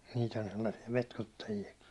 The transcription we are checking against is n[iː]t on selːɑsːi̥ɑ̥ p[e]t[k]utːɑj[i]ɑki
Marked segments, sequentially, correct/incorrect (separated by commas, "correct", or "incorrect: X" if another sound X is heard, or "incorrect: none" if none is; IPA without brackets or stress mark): correct, correct, correct, correct